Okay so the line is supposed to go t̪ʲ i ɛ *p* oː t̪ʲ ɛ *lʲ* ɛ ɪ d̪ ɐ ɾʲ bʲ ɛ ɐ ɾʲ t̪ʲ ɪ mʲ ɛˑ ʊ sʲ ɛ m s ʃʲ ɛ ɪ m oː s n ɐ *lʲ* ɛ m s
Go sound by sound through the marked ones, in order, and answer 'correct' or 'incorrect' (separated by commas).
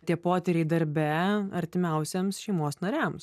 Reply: correct, incorrect, incorrect